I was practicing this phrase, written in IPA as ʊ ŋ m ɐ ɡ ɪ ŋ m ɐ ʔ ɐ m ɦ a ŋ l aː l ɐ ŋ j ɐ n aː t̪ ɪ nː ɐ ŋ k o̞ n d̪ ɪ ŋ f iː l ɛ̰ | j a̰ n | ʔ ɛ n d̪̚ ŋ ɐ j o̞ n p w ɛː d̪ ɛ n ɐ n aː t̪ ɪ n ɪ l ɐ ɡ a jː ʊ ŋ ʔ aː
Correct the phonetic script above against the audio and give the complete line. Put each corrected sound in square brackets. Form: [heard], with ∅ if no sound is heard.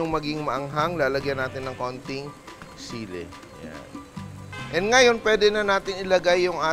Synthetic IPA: ʊ ŋ m ɐ ɡ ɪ ŋ m ɐ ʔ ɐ [ŋ] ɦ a ŋ l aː l ɐ [ɡ] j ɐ n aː t̪ ɪ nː ɐ ŋ k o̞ n [t̪] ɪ ŋ [s] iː l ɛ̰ | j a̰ n | ʔ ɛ n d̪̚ ŋ ɐ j o̞ n p w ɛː d̪ ɛ n ɐ n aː t̪ ɪ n ɪ l ɐ ɡ a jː ʊ ŋ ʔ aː

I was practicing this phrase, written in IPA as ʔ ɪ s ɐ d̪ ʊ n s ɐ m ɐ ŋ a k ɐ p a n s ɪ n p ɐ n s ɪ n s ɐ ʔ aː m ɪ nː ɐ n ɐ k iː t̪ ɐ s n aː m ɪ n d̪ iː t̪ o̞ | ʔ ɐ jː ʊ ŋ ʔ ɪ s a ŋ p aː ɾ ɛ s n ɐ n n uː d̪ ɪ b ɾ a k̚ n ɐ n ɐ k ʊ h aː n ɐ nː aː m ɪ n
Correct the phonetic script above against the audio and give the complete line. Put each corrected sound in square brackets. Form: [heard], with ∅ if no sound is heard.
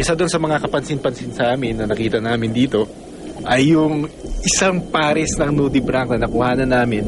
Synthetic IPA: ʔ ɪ s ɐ d̪ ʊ n s ɐ m ɐ ŋ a k ɐ p [ɐ] n s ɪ n p ɐ n s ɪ n s ɐ ʔ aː m ɪ nː ɐ n ɐ k iː t̪ ɐ [∅] n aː m ɪ n d̪ iː t̪ o̞ | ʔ ɐ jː ʊ ŋ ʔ ɪ s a ŋ p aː ɾ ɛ s n ɐ [ŋ] n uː d̪ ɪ b ɾ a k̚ n ɐ n ɐ k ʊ h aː n ɐ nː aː m ɪ n

